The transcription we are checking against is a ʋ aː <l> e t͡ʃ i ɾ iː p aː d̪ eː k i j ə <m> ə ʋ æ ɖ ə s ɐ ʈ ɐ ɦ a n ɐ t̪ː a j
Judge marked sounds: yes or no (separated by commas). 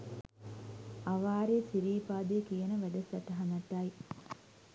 no, no